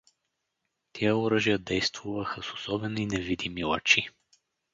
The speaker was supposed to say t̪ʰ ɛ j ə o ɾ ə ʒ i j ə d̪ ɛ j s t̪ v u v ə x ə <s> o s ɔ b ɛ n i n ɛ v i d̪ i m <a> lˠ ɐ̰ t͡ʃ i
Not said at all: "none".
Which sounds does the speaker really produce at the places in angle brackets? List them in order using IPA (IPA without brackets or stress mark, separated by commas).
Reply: s, i